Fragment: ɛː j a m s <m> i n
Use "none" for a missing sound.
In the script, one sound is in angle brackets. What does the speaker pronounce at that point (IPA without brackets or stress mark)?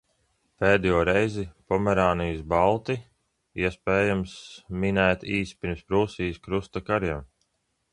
m